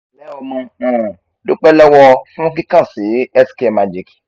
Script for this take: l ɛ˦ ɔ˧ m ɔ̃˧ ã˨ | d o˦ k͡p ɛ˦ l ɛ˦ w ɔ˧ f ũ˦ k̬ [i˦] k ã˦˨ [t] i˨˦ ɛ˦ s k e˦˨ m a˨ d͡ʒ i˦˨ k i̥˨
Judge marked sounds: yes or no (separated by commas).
yes, no